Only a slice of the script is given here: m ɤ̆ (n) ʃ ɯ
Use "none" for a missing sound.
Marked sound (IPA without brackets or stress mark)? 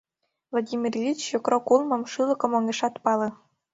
m